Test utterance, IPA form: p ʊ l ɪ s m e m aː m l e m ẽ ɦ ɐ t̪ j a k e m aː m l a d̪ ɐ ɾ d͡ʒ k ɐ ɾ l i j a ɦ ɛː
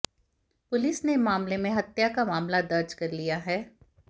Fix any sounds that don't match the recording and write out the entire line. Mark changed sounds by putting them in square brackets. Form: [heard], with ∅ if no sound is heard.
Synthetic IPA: p ʊ l ɪ s [n] e m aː m l e m ẽ ɦ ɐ t̪ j a k [a] m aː m l a d̪ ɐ ɾ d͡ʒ k ɐ ɾ l i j a ɦ ɛː